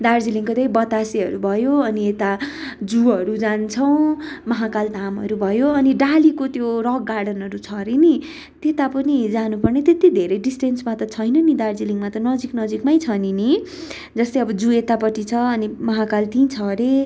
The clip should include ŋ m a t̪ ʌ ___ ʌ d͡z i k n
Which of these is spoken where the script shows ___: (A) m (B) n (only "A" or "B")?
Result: B